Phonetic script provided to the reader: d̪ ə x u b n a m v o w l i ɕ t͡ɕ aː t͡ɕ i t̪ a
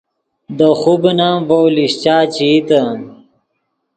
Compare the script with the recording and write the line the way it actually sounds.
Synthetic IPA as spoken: d̪ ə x u b n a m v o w l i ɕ t͡ɕ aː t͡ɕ i t̪ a